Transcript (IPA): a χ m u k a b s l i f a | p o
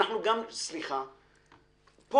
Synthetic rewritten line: a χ n u ɡ a m s l i χ a | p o